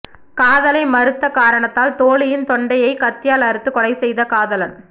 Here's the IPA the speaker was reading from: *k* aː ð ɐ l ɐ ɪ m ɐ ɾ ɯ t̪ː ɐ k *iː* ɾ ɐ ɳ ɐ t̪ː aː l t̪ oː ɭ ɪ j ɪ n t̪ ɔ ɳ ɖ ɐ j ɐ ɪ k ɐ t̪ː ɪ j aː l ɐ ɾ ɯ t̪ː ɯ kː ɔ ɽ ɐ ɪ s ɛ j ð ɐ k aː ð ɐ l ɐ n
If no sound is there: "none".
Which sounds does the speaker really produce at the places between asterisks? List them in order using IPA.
k, aː

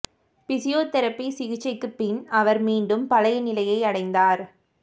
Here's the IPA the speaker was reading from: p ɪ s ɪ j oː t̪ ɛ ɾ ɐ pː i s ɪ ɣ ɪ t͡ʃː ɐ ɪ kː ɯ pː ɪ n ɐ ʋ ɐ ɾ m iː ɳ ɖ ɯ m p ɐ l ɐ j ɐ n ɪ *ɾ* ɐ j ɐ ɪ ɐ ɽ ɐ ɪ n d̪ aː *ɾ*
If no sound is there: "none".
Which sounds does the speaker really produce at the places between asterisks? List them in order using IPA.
l, ɾ

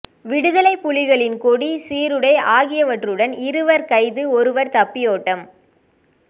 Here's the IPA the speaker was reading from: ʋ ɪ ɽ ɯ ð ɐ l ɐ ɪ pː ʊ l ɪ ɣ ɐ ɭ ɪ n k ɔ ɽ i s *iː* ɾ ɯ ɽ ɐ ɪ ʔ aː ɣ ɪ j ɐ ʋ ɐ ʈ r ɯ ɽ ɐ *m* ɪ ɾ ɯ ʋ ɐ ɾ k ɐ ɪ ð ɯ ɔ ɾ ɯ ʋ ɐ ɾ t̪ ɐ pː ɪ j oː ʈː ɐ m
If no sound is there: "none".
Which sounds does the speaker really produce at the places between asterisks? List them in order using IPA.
iː, n

